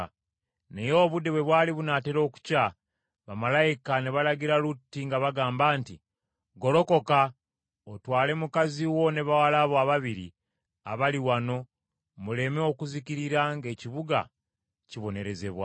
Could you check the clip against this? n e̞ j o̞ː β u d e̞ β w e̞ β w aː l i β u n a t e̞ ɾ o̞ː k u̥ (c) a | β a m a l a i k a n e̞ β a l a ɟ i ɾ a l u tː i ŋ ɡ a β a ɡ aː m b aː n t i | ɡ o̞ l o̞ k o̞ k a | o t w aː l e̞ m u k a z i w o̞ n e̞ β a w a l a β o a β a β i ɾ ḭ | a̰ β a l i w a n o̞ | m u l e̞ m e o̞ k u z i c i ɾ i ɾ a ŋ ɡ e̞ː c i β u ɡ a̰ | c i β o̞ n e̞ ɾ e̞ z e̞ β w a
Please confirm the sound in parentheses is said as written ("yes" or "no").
yes